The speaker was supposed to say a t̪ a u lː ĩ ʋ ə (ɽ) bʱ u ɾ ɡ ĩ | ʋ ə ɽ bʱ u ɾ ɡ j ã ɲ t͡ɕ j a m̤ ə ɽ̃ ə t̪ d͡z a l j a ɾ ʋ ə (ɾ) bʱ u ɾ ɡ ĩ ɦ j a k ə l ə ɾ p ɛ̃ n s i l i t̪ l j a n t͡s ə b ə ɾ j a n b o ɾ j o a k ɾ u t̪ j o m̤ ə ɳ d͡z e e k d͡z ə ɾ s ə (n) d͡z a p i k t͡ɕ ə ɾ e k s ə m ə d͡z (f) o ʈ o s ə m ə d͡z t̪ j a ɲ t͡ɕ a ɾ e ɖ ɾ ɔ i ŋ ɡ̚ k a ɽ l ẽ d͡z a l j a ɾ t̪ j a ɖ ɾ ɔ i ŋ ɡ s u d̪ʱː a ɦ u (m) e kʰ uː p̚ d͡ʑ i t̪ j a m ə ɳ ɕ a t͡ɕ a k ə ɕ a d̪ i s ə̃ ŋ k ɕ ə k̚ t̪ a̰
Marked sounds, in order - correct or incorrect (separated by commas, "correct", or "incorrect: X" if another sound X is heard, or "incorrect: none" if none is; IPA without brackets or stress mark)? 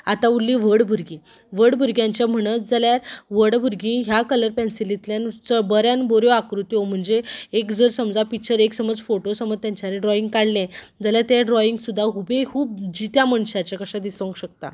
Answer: correct, incorrect: ɽ, incorrect: m, correct, incorrect: b